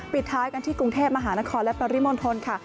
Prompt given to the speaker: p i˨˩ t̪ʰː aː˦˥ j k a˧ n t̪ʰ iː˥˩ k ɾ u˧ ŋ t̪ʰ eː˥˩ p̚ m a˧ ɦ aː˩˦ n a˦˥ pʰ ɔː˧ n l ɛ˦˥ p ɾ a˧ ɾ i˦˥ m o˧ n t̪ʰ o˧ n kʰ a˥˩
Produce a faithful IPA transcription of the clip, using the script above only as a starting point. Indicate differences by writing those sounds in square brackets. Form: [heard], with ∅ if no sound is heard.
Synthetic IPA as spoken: p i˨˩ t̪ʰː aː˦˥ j k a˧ n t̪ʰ iː˥˩ k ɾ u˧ ŋ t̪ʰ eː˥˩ p̚ m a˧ ɦ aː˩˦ n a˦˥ [kʰ] ɔː˧ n l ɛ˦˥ p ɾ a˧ ɾ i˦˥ m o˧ n t̪ʰ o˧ n kʰ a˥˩

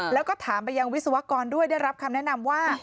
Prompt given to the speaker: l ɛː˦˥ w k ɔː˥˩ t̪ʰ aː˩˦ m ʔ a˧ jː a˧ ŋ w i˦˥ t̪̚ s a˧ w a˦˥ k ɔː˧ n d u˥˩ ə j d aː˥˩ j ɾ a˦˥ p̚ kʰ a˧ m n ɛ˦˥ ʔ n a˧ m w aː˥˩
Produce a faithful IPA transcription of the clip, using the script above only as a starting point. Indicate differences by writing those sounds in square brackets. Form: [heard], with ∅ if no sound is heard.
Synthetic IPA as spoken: l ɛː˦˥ w k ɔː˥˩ t̪ʰ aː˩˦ m [p] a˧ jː a˧ ŋ w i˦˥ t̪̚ s a˧ w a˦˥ k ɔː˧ n d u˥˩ ə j d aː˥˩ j ɾ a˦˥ p̚ kʰ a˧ m n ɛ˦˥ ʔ n a˧ m w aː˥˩

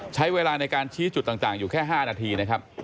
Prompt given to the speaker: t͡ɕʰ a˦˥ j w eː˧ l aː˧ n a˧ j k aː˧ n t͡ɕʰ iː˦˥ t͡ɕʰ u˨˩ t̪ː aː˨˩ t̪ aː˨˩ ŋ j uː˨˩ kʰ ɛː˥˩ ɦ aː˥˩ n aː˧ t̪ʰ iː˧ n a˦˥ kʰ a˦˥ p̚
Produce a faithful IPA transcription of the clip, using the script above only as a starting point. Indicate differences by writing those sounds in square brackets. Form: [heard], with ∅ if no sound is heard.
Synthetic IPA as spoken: t͡ɕʰ a˦˥ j w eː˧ l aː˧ n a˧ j k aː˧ n t͡ɕʰ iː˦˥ [t͡ɕ] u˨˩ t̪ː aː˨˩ t̪ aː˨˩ ŋ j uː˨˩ kʰ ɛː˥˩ ɦ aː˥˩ n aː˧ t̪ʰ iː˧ n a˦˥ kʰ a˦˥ p̚

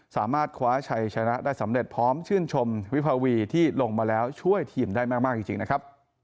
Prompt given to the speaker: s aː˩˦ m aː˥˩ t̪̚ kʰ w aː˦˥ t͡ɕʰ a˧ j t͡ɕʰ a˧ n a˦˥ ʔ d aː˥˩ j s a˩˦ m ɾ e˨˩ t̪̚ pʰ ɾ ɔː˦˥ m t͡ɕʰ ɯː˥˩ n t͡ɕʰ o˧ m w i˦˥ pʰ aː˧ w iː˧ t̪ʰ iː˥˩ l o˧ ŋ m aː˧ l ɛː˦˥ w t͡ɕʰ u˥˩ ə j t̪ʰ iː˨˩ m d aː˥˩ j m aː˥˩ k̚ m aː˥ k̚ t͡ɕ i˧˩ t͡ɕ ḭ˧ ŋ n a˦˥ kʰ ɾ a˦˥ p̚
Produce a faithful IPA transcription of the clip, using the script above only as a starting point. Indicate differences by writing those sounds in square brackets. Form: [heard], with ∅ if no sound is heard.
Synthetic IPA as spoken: s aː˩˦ m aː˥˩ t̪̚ kʰ w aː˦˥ t͡ɕʰ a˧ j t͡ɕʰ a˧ n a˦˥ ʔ d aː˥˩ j s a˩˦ m ɾ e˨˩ t̪̚ pʰ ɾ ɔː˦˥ m t͡ɕʰ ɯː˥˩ n t͡ɕʰ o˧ m w i˦˥ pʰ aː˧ w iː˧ t̪ʰ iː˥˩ l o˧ ŋ m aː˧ l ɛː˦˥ w t͡ɕʰ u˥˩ ə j t̪ʰ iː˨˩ m d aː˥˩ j m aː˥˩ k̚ m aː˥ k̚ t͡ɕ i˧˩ t͡ɕ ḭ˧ ŋ n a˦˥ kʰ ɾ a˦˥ p̚

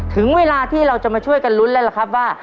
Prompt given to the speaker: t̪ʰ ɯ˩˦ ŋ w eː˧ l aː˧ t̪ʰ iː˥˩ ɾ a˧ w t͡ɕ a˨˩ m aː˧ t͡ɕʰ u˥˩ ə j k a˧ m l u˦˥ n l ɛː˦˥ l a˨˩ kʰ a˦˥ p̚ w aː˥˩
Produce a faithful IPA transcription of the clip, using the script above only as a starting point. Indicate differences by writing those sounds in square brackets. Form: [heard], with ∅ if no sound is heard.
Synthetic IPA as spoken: t̪ʰ ɯ˩˦ ŋ w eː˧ l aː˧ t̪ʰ iː˥˩ ɾ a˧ w t͡ɕ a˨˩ m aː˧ t͡ɕʰ u˥˩ ə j k a˧ [n] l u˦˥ n l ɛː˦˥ l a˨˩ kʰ a˦˥ p̚ w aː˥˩

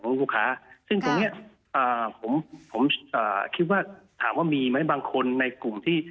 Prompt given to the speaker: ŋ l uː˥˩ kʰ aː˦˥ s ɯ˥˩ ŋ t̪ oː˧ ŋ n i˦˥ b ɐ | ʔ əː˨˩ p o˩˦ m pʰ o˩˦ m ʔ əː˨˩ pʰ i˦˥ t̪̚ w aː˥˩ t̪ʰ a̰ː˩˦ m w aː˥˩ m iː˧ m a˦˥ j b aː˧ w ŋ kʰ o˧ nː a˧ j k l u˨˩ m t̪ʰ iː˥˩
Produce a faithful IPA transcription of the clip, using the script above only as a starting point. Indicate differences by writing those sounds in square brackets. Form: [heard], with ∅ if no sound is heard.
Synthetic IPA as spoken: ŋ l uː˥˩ kʰ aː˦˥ s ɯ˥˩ ŋ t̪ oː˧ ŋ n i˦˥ [∅] ɐ | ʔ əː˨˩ [pʰ] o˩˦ m pʰ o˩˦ m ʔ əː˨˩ [kʰ] i˦˥ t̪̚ w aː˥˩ t̪ʰ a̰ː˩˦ m w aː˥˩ m iː˧ m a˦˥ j b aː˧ [∅] ŋ kʰ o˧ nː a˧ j k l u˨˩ m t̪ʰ iː˥˩

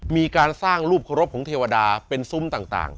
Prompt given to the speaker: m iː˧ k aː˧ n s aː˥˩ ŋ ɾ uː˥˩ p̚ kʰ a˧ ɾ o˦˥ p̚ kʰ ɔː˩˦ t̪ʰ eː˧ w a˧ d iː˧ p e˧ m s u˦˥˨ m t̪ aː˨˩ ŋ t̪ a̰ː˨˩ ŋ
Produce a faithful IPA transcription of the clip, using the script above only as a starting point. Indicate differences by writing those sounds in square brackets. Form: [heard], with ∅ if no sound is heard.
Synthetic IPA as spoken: m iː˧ k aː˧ n s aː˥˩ ŋ ɾ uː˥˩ p̚ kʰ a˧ ɾ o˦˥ p̚ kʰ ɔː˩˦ t̪ʰ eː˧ w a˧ d [aː˧] p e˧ [n] s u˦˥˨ m t̪ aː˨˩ ŋ t̪ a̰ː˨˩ ŋ

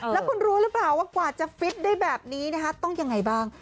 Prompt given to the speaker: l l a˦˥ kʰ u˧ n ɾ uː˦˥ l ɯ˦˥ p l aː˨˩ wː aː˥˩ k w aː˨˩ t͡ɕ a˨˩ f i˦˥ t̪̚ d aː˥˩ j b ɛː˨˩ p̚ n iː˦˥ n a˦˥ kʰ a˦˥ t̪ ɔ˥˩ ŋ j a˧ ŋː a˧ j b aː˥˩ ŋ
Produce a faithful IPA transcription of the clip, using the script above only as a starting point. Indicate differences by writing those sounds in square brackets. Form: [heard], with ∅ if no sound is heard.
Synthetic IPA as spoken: l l [ɛ˦˥] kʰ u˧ n ɾ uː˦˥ [ɾ] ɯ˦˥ p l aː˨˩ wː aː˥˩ k w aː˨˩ t͡ɕ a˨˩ f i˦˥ t̪̚ d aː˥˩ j b ɛː˨˩ p̚ n iː˦˥ n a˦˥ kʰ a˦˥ t̪ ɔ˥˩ ŋ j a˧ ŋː a˧ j b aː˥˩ ŋ

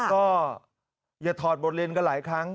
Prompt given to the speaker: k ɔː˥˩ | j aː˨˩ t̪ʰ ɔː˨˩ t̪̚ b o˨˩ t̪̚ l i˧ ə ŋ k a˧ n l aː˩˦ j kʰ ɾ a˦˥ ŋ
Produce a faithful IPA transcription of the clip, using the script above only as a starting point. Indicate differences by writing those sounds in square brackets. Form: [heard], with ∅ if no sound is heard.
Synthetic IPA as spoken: k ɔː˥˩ | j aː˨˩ t̪ʰ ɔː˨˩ t̪̚ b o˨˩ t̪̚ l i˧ ə [n] k a˧ n l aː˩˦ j kʰ ɾ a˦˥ ŋ

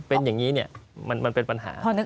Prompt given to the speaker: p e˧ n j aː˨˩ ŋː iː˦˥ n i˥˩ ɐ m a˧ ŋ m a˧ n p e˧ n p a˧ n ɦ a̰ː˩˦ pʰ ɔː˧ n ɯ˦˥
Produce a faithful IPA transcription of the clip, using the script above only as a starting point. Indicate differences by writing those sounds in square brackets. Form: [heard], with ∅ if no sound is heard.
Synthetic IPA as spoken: p e˧ n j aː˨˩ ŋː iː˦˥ n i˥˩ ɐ m a˧ [n] m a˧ n p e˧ n p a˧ n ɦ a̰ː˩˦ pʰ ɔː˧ n ɯ˦˥

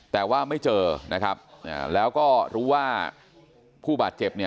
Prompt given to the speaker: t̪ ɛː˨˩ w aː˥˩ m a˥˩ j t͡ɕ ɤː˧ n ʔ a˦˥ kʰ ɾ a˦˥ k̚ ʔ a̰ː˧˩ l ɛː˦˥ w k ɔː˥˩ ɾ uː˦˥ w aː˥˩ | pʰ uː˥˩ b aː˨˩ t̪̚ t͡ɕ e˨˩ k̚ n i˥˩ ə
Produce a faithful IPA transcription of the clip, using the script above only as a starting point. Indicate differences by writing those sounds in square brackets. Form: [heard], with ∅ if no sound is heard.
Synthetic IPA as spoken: t̪ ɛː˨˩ w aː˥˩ m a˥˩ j t͡ɕ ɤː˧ n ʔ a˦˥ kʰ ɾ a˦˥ [p̚] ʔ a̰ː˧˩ l ɛː˦˥ w k ɔː˥˩ ɾ uː˦˥ w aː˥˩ | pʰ uː˥˩ b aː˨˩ t̪̚ t͡ɕ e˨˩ [p̚] n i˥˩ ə

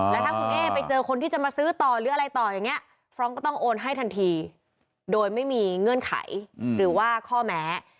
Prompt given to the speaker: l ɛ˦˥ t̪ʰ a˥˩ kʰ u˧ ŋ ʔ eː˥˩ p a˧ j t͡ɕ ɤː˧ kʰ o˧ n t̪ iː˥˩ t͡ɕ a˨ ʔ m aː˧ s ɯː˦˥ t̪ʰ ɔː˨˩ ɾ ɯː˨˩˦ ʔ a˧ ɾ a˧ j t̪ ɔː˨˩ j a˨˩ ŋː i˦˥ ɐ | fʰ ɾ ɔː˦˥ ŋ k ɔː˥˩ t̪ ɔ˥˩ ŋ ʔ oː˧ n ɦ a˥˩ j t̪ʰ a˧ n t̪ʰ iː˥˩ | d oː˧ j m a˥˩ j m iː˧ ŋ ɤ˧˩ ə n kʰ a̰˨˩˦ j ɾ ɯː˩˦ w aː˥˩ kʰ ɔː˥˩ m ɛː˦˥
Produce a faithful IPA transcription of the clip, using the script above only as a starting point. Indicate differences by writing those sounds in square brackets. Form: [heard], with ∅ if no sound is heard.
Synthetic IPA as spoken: l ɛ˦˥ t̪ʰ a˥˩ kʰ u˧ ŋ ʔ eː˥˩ p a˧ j t͡ɕ ɤː˧ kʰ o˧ n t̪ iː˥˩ t͡ɕ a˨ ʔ m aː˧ s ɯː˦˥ [t̪] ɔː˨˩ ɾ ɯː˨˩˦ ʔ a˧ ɾ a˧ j t̪ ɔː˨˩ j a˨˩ ŋː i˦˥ ɐ | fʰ ɾ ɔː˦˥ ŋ k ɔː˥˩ t̪ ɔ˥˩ ŋ ʔ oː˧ n ɦ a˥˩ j t̪ʰ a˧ n t̪ʰ [iː˧] | d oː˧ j m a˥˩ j m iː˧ ŋ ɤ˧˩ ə n kʰ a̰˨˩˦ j ɾ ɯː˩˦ w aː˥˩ kʰ ɔː˥˩ m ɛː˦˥

